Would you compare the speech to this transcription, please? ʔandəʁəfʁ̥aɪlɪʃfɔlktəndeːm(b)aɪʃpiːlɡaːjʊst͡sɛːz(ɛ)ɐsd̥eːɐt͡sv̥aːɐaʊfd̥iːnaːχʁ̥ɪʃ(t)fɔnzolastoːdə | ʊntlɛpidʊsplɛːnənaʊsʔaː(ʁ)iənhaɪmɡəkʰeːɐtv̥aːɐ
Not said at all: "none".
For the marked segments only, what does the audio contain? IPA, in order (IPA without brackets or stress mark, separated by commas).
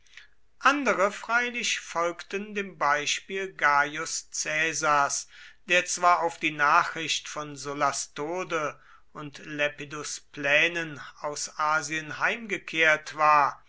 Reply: b, a, t, z